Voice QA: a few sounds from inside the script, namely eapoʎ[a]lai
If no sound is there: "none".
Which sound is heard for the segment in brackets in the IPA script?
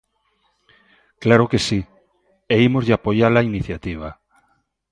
a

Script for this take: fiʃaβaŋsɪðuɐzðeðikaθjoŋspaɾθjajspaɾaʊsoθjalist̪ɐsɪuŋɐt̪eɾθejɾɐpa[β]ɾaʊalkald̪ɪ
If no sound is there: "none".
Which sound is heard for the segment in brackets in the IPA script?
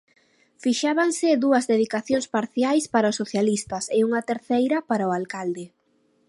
none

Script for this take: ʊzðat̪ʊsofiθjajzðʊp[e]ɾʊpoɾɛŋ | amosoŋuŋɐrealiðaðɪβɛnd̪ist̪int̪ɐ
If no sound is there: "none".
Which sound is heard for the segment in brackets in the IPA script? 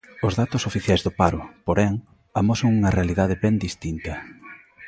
a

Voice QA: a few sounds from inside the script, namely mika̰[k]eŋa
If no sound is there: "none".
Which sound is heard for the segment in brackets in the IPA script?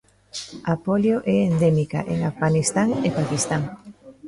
ʔ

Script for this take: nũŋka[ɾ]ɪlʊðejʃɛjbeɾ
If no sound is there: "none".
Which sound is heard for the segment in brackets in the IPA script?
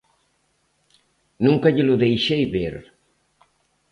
ʎ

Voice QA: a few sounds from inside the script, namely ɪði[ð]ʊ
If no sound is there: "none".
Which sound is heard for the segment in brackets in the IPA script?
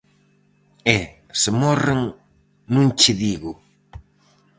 ɣ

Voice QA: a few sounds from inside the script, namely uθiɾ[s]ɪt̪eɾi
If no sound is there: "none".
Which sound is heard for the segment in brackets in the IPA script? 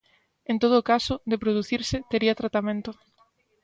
s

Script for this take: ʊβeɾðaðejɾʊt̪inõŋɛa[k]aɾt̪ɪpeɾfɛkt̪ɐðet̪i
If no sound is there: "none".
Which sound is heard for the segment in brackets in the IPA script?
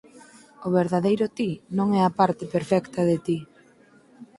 p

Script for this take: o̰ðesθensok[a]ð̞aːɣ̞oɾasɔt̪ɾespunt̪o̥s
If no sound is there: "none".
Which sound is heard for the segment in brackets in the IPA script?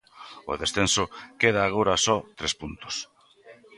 e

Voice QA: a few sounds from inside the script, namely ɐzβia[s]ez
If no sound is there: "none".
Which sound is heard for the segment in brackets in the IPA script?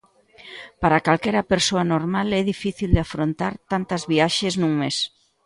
ʃ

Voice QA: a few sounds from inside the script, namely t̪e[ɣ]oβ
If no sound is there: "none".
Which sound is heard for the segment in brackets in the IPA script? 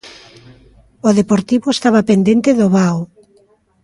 ð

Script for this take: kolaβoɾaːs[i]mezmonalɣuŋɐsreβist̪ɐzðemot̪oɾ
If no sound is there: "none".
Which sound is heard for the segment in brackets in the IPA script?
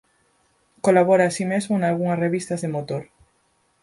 i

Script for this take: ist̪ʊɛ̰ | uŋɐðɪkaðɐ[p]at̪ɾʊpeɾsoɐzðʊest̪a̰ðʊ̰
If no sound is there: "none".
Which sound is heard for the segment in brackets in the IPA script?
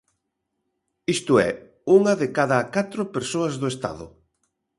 k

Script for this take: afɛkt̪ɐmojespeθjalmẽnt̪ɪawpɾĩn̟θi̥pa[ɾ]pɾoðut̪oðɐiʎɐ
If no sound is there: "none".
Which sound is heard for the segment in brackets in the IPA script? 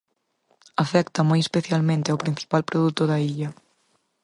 l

